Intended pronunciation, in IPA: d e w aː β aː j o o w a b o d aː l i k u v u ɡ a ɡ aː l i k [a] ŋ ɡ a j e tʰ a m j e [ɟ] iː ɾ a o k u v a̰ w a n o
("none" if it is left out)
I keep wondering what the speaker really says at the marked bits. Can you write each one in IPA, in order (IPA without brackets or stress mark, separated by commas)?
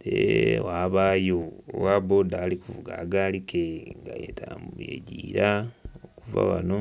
e, ɟ